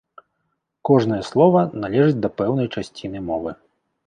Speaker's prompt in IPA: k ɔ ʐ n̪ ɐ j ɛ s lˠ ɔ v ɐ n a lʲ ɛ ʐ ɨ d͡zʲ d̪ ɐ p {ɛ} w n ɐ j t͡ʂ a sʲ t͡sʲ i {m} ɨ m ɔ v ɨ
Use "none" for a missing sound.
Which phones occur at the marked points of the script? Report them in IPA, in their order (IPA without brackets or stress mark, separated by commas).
ɛ, n